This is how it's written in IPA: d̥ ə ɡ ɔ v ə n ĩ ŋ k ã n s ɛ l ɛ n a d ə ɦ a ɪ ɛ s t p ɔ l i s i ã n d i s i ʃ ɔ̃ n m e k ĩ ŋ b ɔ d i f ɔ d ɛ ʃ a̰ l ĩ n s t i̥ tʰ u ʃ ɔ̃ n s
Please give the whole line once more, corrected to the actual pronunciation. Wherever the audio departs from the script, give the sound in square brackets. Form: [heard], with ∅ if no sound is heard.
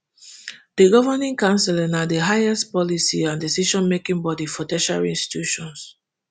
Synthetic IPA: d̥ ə ɡ ɔ v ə n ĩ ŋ k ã n s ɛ l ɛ n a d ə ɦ a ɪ ɛ s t p ɔ l i s i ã n d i s i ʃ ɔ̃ n m e k ĩ ŋ b ɔ d i f ɔ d ɛ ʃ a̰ l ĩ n s t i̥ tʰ u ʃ ɔ̃ n s